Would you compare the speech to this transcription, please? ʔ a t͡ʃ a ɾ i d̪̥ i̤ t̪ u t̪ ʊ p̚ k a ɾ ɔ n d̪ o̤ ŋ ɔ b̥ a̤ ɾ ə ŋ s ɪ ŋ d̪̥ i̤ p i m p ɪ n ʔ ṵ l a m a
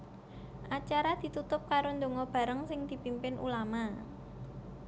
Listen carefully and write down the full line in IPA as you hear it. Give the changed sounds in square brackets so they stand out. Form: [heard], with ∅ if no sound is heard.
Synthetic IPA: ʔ a t͡ʃ a ɾ [a] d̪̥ i̤ t̪ u t̪ ʊ p̚ k a ɾ [o] n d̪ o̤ ŋ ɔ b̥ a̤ ɾ ə ŋ s ɪ ŋ d̪̥ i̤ p i m p ɪ n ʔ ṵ l a m a